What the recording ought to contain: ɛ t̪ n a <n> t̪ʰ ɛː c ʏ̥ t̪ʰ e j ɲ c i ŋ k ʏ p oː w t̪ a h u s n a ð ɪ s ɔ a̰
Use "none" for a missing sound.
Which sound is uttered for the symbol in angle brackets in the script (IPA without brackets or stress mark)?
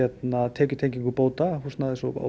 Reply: none